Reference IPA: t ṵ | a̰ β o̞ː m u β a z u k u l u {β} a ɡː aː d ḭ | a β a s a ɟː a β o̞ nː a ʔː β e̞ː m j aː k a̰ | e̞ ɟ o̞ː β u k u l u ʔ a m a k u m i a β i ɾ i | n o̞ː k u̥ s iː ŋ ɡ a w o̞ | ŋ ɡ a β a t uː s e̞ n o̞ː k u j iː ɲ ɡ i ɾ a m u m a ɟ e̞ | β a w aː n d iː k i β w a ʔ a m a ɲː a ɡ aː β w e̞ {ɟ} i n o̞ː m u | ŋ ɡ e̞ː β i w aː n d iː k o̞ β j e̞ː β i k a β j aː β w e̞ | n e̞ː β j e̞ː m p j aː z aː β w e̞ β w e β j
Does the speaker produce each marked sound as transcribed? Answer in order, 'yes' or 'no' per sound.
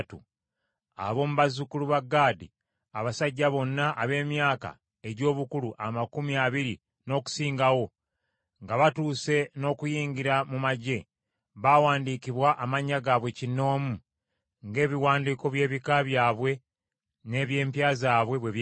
yes, no

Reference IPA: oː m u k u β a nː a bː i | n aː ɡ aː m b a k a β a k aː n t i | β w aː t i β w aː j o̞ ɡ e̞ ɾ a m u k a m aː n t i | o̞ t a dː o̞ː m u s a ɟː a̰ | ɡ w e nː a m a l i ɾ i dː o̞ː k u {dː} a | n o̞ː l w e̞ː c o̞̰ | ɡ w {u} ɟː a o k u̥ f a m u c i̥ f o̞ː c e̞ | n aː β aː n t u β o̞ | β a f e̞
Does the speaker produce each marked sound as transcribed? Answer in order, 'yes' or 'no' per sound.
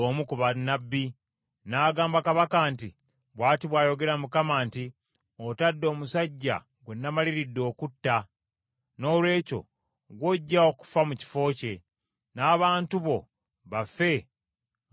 no, no

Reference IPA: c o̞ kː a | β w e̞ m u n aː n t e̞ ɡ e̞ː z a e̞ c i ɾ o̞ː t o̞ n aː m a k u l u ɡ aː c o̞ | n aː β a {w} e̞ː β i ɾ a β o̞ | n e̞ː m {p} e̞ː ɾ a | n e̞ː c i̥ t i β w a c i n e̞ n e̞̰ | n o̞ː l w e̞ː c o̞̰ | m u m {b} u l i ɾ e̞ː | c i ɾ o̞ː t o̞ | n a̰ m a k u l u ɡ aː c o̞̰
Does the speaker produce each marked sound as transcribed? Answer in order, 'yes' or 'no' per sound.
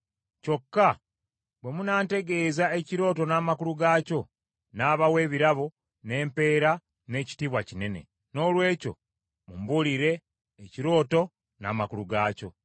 yes, yes, yes

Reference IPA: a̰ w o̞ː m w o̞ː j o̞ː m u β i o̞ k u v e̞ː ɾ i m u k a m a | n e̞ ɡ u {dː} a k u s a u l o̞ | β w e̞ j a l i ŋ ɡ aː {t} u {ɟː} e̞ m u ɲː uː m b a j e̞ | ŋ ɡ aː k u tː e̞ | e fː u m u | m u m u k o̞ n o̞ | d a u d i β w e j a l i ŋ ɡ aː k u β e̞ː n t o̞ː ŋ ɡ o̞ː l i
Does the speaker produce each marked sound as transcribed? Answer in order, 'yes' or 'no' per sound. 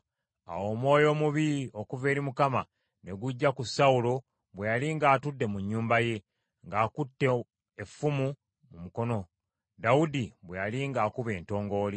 no, yes, no

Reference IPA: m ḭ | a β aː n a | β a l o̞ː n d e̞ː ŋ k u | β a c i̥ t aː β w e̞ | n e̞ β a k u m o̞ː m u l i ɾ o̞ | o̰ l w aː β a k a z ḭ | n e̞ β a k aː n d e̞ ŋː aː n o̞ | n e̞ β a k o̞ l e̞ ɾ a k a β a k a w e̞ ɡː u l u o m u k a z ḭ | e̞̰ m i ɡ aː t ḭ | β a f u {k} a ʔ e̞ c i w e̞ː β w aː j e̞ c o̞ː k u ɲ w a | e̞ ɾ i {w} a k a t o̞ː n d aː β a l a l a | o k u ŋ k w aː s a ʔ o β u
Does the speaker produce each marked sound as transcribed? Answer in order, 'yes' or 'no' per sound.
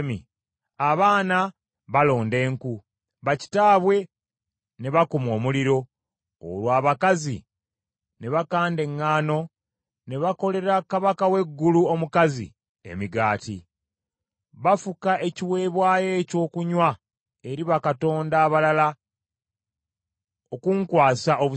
yes, no

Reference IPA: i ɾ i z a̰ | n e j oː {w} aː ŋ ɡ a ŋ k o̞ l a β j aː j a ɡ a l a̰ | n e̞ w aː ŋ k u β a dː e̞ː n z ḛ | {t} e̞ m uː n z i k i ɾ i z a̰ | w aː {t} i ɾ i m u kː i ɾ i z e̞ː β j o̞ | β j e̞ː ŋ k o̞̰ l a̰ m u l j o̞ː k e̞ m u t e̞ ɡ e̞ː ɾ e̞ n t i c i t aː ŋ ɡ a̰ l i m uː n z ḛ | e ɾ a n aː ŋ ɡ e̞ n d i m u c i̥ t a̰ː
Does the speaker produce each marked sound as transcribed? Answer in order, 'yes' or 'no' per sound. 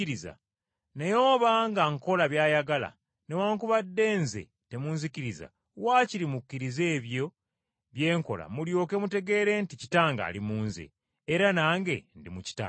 no, yes, no

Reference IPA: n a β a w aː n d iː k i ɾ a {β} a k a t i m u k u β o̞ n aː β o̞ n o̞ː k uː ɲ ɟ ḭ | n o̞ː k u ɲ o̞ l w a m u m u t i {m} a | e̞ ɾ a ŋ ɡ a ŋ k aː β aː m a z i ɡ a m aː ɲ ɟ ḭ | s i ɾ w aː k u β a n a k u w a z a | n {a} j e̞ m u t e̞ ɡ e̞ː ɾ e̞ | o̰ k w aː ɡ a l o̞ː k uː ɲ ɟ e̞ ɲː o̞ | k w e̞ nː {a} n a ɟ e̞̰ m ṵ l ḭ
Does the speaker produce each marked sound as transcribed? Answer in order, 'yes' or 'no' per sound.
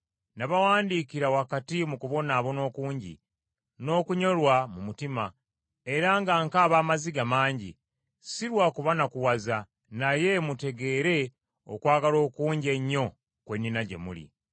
no, yes, yes, no

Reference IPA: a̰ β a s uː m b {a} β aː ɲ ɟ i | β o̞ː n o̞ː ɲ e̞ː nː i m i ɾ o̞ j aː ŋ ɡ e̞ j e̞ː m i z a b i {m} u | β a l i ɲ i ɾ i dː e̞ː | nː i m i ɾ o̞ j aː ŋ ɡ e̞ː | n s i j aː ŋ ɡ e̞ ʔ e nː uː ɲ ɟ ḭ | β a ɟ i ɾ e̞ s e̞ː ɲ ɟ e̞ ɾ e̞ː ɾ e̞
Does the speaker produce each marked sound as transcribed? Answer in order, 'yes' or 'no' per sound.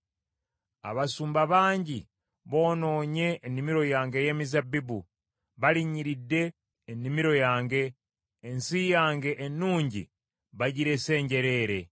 yes, no

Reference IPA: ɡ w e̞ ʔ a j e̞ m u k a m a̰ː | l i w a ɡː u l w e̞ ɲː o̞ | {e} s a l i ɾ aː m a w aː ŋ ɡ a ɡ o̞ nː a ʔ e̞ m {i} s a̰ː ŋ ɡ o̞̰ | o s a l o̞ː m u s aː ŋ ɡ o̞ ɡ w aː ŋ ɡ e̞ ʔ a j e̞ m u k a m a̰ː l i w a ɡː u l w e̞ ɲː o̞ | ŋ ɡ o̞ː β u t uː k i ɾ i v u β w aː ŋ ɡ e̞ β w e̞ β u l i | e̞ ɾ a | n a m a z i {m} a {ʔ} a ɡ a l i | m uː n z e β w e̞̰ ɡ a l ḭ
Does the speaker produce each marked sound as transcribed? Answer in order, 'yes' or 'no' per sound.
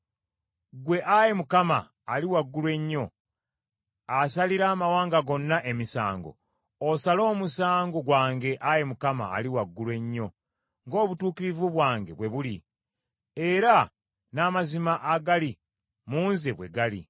no, yes, yes, yes

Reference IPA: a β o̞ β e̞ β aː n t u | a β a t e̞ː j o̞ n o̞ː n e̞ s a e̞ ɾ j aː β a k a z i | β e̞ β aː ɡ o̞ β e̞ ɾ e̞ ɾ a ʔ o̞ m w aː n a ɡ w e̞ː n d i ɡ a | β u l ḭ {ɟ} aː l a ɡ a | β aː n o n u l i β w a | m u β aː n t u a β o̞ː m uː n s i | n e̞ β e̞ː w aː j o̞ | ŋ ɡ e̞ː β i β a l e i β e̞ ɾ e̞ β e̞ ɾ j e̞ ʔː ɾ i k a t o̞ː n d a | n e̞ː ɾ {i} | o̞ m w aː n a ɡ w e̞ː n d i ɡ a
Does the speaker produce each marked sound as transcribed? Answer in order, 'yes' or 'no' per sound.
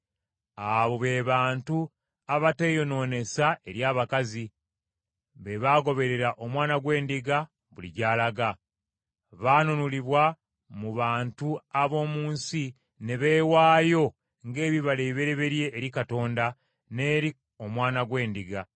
yes, yes

